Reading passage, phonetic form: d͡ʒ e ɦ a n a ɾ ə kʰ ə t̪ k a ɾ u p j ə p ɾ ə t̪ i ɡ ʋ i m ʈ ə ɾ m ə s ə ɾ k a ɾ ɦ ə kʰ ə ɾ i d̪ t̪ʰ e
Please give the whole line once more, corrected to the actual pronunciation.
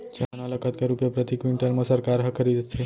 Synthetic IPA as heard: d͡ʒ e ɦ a n a l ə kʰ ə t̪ k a ɾ u p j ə p ɾ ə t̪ i k ʋ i ɳ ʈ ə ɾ m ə s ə ɾ k a ɾ ɦ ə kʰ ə ɾ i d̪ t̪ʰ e